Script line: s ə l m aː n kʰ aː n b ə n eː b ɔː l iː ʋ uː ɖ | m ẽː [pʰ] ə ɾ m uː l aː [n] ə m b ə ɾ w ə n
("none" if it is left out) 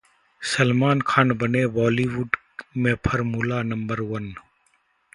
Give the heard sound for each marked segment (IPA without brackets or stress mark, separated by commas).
pʰ, n